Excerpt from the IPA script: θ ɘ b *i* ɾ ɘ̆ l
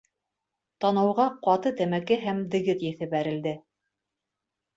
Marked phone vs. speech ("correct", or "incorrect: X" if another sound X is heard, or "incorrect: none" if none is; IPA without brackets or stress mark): incorrect: æ